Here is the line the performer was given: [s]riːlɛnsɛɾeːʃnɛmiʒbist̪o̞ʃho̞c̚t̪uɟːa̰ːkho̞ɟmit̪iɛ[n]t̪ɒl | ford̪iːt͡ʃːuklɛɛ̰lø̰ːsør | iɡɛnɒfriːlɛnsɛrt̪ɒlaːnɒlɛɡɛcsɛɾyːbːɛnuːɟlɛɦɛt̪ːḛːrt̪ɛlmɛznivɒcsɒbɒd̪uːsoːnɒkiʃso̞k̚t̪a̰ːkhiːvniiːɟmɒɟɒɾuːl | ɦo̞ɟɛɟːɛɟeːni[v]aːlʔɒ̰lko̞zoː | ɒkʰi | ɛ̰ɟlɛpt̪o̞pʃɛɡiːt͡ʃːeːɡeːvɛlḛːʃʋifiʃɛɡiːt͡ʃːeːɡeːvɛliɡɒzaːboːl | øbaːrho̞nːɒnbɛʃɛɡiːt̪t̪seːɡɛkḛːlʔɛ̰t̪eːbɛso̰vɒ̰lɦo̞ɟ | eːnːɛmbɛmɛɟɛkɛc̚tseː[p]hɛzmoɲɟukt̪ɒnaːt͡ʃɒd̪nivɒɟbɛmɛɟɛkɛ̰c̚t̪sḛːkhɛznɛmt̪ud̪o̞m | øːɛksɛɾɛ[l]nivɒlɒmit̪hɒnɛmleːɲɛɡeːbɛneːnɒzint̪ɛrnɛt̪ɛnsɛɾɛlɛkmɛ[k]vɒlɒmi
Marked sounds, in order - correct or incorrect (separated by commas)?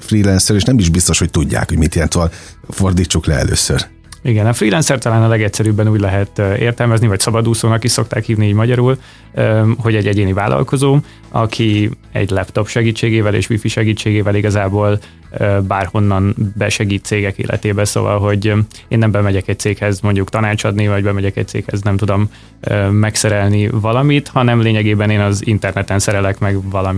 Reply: incorrect, correct, correct, incorrect, correct, incorrect